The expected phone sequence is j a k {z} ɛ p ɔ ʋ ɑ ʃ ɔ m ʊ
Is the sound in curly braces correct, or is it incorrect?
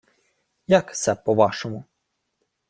incorrect